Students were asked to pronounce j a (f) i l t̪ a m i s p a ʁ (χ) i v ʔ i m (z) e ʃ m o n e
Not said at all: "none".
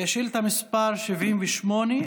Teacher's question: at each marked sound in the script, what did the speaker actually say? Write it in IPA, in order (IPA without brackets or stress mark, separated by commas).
ʃ, ʃ, v